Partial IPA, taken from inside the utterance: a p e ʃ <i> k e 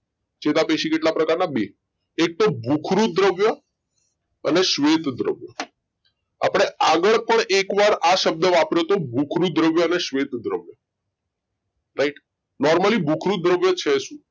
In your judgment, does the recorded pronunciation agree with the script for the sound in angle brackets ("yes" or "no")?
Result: yes